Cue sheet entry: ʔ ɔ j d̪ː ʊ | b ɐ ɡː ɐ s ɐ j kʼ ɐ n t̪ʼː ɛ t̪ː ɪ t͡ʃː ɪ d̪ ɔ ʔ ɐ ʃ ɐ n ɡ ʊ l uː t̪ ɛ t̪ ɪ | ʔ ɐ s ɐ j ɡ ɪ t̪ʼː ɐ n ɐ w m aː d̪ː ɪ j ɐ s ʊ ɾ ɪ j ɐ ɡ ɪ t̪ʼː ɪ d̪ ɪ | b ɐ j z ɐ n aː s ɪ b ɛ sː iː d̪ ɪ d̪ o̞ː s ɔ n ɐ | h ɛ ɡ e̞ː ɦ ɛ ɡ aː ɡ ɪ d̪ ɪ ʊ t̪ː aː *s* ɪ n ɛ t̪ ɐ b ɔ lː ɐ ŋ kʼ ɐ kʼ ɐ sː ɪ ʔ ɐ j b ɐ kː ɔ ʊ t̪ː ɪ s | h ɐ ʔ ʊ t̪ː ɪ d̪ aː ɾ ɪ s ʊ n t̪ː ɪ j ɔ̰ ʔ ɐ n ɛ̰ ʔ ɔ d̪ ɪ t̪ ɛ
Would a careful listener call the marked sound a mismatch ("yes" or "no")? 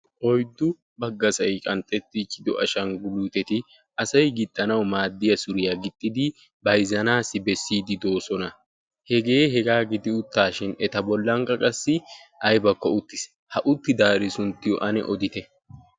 yes